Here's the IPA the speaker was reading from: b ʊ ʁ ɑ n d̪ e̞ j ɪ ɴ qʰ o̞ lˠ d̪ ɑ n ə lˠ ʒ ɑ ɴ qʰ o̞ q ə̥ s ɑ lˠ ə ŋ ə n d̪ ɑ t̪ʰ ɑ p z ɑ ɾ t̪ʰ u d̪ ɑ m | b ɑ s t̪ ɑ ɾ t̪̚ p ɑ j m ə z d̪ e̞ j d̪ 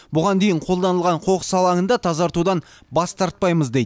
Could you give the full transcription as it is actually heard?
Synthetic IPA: b ʊ ʁ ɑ n d̪ e̞ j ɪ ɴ qʰ o̞ lˠ d̪ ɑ n ə lˠ ʁ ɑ ɴ qʰ o̞ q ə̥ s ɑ lˠ ɑ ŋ ə n d̪ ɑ t̪ʰ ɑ z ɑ ɾ t̪ u d̪ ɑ n | b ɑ s t̪ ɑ ɾ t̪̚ p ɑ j m ə z d̪ e̞ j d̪